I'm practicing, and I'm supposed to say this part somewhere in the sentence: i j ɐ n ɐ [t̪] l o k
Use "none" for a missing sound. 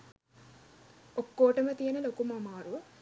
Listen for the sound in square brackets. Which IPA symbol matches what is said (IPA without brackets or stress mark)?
none